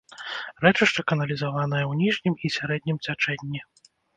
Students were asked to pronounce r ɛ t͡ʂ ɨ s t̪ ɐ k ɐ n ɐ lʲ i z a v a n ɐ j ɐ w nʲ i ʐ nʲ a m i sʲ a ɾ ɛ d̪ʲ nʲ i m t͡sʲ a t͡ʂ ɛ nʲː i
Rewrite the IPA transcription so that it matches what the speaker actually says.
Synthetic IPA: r ɛ t͡ʂ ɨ ʂ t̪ ɐ k ɐ n ɐ lʲ i z a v a n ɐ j ɐ w nʲ i ʐ nʲ i m i sʲ a ɾ ɛ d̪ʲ nʲ i m t͡sʲ a t͡ʂ ɛ nʲː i